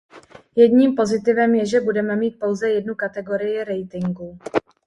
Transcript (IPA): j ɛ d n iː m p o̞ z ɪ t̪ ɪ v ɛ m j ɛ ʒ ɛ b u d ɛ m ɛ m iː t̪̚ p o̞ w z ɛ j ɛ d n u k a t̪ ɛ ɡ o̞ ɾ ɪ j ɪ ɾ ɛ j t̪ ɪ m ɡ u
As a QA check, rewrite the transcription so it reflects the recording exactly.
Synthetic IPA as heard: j ɛ d ɲ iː m p o̞ z ɪ t̪ ɪ v ɛ m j ɛ ʒ ɛ b u d ɛ m ɛ m iː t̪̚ p o̞ w z ɛ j ɛ d n u k a t̪ ɛ ɡ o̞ ɾ ɪ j ɪ ɾ ɛ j t̪ ɪ ŋ ɡ u